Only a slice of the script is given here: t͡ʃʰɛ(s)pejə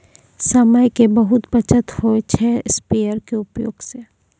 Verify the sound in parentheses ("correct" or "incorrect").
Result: correct